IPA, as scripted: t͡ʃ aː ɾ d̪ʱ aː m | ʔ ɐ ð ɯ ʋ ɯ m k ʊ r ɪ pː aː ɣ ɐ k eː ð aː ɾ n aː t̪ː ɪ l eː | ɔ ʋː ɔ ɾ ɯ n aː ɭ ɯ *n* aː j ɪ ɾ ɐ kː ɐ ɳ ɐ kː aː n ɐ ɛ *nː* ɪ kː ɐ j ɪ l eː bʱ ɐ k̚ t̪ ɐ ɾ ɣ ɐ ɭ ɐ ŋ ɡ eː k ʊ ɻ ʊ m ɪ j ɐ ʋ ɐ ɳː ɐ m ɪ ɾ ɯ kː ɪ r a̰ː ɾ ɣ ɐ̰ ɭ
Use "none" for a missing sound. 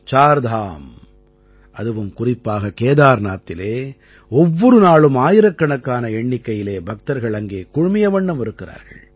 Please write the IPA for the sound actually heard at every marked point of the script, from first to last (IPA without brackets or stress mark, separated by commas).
m, ɳː